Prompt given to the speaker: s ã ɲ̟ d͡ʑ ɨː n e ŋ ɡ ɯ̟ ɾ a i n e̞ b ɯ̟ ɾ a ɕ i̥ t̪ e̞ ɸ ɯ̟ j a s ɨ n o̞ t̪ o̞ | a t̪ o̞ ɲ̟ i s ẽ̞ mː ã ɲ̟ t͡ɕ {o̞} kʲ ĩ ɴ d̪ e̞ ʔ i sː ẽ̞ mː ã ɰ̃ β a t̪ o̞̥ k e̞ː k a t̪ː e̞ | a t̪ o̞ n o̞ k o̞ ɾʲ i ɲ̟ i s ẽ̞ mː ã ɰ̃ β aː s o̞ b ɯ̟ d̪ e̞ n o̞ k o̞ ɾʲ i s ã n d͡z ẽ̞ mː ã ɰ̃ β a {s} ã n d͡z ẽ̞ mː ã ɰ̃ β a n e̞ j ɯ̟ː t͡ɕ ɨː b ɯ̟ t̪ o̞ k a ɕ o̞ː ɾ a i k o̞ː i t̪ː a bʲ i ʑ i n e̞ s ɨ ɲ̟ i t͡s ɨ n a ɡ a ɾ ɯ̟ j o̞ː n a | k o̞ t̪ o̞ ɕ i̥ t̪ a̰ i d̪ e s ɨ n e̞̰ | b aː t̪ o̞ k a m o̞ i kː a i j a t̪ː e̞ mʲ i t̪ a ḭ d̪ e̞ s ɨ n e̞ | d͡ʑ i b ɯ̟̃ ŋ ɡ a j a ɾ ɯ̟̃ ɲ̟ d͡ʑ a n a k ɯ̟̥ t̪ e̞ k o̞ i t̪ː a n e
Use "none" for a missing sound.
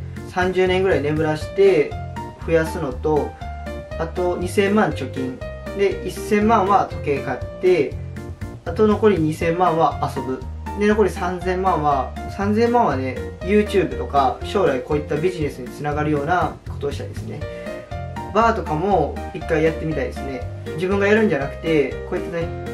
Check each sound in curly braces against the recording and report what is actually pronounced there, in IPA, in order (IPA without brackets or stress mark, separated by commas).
o̞, s